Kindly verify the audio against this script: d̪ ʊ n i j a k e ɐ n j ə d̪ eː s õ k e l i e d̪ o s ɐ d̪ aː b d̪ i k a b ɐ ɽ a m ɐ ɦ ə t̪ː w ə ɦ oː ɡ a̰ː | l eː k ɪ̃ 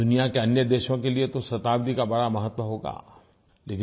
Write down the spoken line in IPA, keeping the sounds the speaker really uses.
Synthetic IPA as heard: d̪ ʊ n i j a k e ɐ n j ə d̪ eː ʃ õ k e l i e t̪ o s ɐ t̪ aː b d̪ i k a b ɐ ɽ a m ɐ ɦ ə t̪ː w ə ɦ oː ɡ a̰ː | l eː k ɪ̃